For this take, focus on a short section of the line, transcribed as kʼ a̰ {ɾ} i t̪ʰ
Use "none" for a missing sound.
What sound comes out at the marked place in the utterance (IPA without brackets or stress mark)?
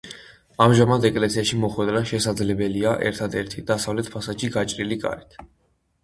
ɾ